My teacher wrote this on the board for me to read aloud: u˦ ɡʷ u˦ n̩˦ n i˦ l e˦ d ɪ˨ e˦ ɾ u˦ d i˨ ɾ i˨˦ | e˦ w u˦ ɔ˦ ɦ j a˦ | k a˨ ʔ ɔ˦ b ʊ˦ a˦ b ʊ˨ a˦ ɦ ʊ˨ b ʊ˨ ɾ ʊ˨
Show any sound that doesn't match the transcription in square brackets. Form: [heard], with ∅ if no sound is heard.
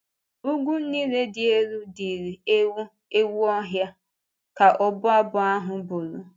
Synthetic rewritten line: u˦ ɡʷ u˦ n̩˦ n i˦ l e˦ d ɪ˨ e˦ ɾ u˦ d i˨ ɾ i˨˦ | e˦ w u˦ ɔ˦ ɦ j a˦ | k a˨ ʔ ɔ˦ b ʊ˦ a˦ b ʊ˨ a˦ ɦ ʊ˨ b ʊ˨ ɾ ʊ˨